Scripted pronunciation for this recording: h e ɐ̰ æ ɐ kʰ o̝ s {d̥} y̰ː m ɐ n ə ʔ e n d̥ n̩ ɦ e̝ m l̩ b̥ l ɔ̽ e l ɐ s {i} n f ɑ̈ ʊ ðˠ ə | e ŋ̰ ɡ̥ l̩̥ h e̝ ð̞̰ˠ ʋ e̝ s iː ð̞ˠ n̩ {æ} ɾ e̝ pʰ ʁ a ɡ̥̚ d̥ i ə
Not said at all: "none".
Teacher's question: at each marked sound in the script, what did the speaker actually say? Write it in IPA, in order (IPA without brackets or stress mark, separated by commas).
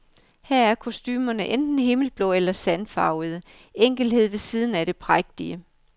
d̥, æ, æ